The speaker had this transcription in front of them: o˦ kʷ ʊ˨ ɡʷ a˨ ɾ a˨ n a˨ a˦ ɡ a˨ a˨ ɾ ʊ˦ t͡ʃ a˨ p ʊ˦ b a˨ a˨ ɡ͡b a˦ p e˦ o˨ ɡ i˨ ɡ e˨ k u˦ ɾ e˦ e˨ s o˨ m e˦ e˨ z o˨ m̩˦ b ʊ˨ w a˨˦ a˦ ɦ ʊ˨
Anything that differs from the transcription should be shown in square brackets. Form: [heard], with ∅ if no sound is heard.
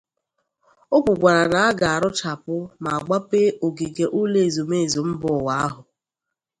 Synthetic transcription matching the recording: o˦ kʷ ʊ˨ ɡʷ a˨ ɾ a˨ n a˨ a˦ ɡ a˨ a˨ ɾ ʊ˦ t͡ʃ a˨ p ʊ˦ [m] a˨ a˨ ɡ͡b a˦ p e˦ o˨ ɡ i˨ ɡ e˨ [ʔ] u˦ [l] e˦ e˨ [z] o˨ m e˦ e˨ z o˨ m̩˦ b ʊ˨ w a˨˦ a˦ ɦ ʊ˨